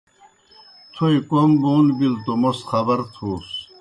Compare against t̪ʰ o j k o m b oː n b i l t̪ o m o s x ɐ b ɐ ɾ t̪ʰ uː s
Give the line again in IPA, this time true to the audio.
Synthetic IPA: t̪ʰ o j k o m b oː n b i l t̪ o m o s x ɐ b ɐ ɾ t̪ʰ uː s